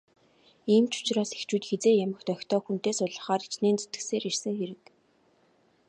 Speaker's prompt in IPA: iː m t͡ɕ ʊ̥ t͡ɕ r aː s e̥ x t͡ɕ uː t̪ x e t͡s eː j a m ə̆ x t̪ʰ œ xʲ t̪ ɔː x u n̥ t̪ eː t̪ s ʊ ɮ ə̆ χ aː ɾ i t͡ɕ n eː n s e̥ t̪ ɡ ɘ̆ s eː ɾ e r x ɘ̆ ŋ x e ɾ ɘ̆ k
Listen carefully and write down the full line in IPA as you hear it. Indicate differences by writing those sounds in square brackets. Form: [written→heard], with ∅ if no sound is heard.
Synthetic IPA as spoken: iː m t͡ɕ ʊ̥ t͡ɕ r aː s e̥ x t͡ɕ uː t̪ x e t͡s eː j a m ə̆ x [t̪ʰ→t̪] œ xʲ t̪ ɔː x u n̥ t̪ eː [t̪→∅] s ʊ ɮ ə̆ χ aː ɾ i t͡ɕ n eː n [s→t͡s] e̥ t̪ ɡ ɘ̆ s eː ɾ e r [x→s] ɘ̆ ŋ x e ɾ ɘ̆ k